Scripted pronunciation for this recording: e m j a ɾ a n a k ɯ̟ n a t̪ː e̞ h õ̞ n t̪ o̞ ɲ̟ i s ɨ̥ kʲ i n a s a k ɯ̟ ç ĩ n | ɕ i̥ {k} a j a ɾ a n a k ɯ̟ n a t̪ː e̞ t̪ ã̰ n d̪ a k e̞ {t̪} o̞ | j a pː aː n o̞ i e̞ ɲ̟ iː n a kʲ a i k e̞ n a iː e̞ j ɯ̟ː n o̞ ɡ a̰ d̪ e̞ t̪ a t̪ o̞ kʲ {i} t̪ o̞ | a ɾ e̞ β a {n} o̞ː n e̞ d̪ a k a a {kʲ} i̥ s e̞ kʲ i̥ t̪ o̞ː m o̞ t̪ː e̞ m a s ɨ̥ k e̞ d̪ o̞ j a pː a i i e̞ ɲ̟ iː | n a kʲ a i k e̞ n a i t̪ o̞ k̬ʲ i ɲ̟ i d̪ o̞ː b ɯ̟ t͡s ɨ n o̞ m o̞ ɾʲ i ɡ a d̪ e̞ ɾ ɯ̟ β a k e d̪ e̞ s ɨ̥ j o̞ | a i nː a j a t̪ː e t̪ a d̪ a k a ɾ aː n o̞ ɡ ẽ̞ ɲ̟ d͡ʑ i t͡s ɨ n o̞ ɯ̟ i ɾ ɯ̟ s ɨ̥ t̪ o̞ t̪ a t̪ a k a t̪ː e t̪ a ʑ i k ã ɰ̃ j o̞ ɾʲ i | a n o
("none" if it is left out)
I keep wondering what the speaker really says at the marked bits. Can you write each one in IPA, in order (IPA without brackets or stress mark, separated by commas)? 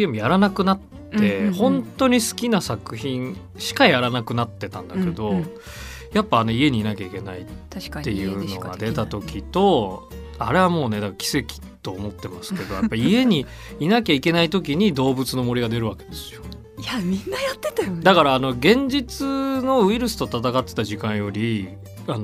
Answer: k, d̪, i, m, kʲ